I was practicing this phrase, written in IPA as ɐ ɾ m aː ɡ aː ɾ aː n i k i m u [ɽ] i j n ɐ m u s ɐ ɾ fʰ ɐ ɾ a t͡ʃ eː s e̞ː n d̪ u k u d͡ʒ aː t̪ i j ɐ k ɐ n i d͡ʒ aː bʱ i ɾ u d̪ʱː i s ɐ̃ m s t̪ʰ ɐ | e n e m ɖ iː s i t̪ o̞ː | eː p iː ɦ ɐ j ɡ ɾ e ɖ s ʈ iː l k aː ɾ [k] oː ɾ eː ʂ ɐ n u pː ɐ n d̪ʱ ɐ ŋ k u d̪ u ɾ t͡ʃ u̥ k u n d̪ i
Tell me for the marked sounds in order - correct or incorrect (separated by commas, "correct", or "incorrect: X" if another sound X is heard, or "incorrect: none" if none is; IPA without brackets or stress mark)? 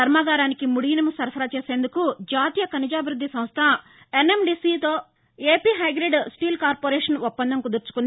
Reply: correct, incorrect: p